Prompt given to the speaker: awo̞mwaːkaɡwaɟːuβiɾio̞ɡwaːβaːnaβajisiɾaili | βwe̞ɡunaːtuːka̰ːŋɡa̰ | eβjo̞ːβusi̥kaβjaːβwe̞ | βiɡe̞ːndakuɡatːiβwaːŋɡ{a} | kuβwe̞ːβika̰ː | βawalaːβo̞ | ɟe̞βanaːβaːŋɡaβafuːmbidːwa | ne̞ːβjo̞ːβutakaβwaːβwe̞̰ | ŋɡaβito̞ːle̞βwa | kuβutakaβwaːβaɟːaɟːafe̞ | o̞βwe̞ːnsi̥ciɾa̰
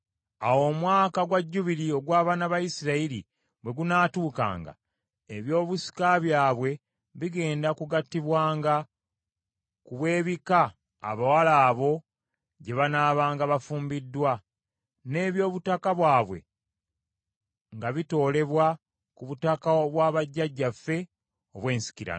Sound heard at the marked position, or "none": a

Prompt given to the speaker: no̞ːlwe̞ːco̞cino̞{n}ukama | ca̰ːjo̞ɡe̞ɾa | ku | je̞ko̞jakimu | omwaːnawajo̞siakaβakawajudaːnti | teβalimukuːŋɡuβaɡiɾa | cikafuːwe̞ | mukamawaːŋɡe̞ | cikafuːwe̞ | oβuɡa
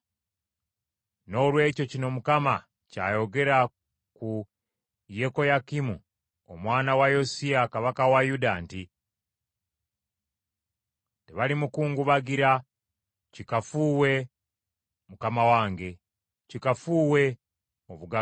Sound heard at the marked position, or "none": m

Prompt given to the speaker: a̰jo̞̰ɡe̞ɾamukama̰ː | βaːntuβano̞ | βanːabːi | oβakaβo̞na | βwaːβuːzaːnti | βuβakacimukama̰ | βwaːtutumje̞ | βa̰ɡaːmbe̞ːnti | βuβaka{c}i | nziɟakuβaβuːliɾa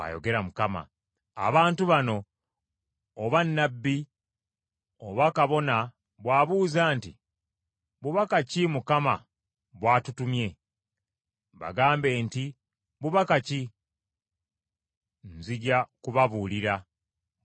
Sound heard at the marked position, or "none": c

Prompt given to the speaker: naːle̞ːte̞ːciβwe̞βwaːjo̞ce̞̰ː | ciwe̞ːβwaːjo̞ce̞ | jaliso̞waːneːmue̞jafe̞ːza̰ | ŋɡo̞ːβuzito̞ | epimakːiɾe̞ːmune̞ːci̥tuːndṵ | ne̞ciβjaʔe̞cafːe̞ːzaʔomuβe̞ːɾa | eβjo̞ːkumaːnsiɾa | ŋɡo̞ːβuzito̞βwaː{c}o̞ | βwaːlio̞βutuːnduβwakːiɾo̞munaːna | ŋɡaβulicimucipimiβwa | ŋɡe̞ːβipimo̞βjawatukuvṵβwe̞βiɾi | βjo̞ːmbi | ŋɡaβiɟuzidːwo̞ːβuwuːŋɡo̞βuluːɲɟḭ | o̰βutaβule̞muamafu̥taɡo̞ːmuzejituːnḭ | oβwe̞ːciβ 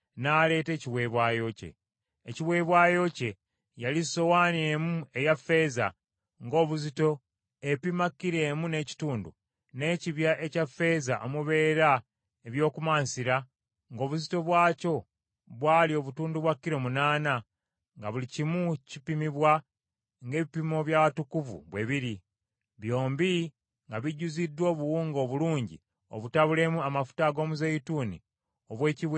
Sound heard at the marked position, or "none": c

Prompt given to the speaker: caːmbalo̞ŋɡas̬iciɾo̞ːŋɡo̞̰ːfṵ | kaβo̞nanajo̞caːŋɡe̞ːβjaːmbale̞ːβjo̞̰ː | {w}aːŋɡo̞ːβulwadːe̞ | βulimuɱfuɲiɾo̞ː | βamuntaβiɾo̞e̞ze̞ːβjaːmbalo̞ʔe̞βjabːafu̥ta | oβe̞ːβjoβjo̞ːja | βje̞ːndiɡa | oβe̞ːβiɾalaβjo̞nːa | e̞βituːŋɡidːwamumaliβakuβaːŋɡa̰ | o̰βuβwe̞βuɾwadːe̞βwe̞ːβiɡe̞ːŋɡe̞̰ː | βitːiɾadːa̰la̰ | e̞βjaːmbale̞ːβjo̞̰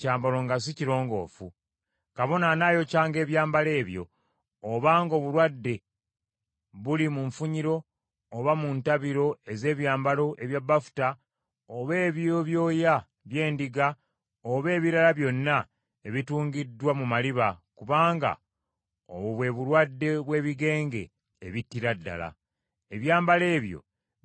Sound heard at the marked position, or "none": β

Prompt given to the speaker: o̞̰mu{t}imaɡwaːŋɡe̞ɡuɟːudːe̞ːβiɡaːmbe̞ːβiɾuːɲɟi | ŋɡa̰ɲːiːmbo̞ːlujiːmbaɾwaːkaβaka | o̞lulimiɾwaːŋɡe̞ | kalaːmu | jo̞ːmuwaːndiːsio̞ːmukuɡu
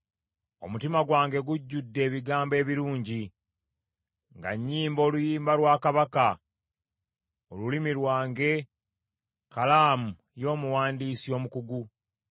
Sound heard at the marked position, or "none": t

